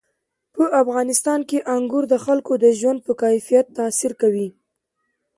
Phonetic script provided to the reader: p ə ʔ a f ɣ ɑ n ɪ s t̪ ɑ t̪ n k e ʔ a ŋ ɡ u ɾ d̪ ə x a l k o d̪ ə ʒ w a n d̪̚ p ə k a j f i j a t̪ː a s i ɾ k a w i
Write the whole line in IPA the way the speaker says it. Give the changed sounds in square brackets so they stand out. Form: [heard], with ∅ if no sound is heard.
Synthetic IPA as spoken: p ə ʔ a f ɣ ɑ n ɪ s t̪ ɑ [∅] n k e ʔ a ŋ ɡ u ɾ d̪ ə x a l k o d̪ ə ʒ w a n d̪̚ p ə k a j f i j a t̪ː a s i ɾ k a w i